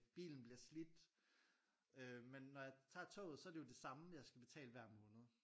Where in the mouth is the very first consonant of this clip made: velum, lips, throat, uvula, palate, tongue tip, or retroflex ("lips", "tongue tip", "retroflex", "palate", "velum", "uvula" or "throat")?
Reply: lips